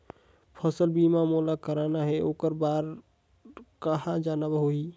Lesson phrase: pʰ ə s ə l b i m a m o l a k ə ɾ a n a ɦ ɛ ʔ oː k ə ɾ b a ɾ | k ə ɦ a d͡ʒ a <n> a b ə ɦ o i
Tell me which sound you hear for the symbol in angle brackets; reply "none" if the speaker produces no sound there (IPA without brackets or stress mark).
n